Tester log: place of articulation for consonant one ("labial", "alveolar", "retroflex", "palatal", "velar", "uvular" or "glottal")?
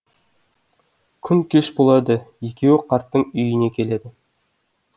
velar